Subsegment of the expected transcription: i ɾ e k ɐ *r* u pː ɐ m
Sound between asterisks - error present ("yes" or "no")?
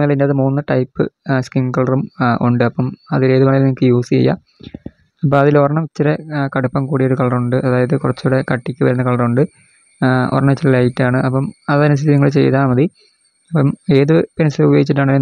yes